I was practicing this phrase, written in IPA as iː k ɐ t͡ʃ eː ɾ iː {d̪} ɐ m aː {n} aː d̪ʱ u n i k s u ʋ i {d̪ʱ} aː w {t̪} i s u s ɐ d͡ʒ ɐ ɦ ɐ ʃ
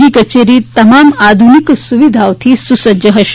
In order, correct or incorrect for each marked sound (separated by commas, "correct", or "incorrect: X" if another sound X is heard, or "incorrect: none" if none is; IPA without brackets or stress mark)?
incorrect: t̪, incorrect: m, correct, incorrect: t̪ʰ